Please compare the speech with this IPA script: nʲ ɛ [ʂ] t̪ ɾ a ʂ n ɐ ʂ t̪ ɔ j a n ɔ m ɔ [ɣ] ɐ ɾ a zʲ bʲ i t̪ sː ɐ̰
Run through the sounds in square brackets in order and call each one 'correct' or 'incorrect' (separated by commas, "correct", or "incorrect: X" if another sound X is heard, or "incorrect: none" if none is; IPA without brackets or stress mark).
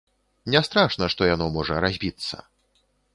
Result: incorrect: s, incorrect: ʐ